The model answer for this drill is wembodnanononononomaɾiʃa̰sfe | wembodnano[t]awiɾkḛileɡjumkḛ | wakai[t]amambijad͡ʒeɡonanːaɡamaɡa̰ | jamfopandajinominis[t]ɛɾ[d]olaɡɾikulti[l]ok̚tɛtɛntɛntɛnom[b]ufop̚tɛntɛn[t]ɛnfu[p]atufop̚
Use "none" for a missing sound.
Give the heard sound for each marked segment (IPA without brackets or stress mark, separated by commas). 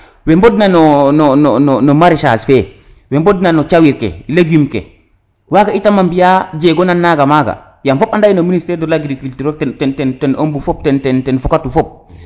t͡ʃ, t, t, d, ɾ, b, t, k